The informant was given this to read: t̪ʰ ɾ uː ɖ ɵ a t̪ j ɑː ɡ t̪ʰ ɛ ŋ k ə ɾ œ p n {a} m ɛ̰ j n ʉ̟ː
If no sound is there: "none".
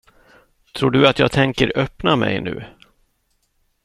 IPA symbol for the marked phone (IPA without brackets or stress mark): a